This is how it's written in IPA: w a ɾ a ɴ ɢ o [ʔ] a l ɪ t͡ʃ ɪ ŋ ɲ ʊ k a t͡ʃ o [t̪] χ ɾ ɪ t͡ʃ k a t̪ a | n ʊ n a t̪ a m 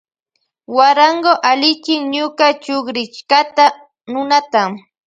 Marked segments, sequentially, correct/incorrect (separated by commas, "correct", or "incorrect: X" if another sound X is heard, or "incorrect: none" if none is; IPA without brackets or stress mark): correct, incorrect: none